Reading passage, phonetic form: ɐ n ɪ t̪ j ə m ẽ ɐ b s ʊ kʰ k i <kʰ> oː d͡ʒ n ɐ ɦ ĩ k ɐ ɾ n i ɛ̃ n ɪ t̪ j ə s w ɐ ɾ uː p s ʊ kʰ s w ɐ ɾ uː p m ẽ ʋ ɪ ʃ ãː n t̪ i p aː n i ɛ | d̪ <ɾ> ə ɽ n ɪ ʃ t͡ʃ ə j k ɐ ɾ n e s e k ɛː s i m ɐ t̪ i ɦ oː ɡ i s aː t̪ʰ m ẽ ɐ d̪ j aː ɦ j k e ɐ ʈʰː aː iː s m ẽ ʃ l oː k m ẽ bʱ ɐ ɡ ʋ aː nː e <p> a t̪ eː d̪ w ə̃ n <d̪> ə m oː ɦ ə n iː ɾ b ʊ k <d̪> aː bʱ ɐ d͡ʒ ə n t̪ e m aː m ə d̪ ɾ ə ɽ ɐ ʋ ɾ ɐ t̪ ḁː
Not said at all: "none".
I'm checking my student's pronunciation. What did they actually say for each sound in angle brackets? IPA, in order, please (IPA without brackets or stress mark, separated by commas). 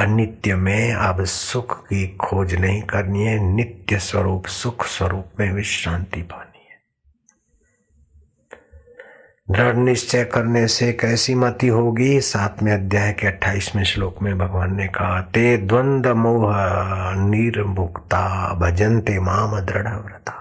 kʰ, ɾ, k, d̪, t̪